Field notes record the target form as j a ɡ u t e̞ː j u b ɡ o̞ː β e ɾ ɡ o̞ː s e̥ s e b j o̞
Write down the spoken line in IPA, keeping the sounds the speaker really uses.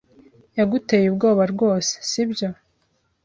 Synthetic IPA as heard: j a ɡ u t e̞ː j u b ɡ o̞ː β a ɾ ɡ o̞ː s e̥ s i b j o̞